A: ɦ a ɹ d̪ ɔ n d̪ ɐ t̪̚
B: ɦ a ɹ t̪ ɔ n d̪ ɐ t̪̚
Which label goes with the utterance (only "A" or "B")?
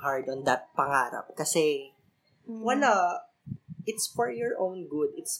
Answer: A